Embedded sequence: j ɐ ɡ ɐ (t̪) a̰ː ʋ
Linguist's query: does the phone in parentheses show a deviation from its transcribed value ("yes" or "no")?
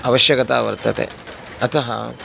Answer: no